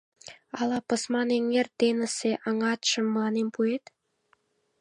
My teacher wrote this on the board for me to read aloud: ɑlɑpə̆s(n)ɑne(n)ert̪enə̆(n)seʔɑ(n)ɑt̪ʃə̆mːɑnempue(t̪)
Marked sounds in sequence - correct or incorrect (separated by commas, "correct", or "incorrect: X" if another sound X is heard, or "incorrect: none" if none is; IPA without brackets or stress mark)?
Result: incorrect: m, incorrect: ŋ, incorrect: none, incorrect: ŋ, correct